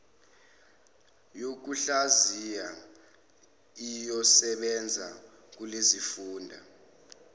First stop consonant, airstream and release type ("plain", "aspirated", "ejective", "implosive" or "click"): plain